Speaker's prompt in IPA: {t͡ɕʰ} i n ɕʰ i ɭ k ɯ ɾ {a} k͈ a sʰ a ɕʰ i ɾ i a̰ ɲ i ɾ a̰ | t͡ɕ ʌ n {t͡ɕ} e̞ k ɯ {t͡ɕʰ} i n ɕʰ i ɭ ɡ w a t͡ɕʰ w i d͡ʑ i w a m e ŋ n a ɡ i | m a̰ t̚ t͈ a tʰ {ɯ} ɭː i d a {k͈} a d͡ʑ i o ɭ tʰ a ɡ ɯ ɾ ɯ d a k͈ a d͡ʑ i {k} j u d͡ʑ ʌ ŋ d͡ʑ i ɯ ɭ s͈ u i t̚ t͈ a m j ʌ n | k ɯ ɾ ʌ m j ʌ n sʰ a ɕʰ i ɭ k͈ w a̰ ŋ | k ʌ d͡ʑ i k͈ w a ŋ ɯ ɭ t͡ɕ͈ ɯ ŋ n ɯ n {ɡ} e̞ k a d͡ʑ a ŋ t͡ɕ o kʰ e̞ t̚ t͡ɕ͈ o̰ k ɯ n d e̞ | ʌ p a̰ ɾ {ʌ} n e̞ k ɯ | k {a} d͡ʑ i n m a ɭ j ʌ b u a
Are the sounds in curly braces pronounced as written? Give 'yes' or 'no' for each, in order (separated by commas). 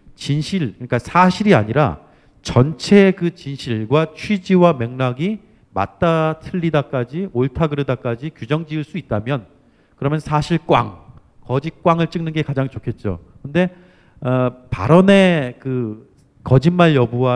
no, no, no, no, yes, yes, yes, yes, yes, no